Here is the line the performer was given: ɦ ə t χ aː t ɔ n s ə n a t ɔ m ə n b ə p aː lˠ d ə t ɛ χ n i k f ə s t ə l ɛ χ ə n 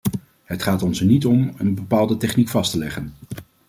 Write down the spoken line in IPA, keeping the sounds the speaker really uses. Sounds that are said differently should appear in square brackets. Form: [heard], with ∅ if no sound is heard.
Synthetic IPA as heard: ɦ ə t χ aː t ɔ n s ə n [i] t ɔ m ə n b ə p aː lˠ d ə t ɛ χ n i k f [ɑ] s t ə l ɛ χ ə n